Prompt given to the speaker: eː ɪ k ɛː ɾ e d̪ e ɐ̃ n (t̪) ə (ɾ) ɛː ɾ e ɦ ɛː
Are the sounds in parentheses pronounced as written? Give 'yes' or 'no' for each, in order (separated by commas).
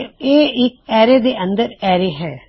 no, yes